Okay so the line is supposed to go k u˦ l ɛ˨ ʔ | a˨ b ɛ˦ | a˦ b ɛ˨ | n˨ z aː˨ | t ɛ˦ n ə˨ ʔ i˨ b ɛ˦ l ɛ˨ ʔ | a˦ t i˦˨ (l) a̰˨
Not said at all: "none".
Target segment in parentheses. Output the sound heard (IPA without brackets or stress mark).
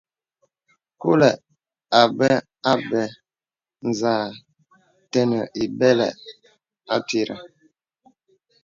ɾ